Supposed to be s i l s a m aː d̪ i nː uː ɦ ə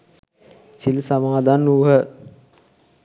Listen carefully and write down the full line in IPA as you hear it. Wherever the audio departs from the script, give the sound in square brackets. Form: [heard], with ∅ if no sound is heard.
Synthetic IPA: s i l s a m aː d̪ [a] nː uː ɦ ə